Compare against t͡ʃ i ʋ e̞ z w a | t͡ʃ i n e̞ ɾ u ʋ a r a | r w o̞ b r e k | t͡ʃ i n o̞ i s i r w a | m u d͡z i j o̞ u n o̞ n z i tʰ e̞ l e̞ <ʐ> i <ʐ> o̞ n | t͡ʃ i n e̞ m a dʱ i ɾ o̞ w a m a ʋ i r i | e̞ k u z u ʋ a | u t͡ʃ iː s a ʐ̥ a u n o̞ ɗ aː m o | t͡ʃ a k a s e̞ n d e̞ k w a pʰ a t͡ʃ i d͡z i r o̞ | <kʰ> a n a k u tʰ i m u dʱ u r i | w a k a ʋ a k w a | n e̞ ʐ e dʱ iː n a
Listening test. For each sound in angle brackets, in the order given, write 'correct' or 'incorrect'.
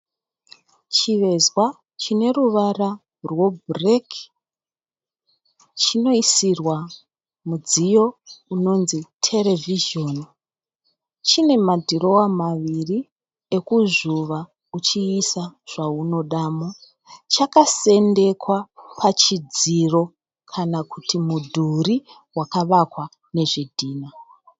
incorrect, incorrect, correct

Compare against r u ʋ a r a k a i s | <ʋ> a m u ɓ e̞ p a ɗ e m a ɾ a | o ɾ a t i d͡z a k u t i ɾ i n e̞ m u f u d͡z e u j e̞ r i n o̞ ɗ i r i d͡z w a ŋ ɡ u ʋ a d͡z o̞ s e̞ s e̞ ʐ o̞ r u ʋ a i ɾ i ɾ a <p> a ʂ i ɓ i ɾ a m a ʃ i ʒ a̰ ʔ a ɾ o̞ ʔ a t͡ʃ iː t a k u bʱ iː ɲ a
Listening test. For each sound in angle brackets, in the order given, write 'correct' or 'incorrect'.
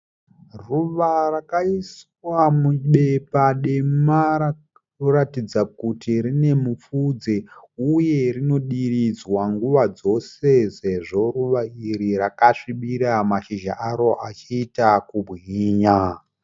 incorrect, incorrect

